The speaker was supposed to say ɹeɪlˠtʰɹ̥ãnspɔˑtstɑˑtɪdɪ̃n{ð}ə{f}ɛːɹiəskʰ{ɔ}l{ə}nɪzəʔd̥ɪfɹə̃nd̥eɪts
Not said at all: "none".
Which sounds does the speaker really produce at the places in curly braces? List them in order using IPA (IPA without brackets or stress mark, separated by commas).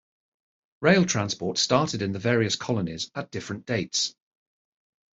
ð, v, ɒ, ə